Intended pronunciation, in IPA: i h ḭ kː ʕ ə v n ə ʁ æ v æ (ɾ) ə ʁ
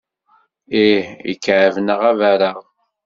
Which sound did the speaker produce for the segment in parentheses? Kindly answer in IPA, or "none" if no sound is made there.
ɾ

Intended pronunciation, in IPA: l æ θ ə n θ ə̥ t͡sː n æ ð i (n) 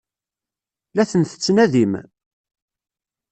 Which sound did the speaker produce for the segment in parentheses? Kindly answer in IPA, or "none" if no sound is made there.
m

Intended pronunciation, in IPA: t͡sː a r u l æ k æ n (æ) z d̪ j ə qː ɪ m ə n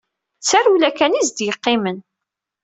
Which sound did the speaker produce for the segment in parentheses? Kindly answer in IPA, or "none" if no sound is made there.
i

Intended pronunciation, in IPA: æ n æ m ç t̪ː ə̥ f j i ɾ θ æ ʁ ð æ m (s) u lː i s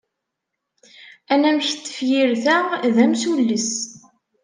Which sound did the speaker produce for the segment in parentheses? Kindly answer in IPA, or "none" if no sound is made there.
s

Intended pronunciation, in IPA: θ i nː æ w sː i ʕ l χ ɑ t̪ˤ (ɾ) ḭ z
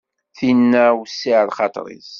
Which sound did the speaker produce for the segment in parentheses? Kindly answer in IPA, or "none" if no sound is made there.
ɾ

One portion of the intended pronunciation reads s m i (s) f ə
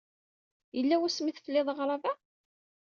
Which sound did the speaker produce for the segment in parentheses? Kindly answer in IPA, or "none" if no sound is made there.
θ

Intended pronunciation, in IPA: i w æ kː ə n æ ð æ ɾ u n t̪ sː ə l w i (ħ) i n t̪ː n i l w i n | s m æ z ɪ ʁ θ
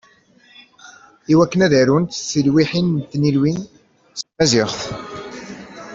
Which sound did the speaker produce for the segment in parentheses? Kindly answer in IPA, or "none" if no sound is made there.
ħ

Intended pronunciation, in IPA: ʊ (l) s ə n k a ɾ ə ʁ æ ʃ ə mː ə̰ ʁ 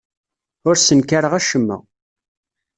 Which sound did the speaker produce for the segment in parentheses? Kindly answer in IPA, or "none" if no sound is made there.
ɾ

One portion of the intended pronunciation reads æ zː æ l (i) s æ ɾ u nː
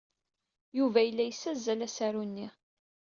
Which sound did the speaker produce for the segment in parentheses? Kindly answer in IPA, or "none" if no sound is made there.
æ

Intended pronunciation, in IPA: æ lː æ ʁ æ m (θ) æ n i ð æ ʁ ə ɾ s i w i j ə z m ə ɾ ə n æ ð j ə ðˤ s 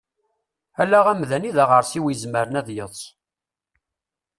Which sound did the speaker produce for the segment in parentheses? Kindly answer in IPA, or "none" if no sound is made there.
ð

